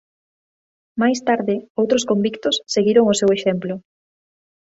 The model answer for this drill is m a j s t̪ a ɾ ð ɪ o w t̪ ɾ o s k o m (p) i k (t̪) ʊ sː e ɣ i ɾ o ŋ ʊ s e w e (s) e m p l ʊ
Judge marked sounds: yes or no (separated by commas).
no, yes, no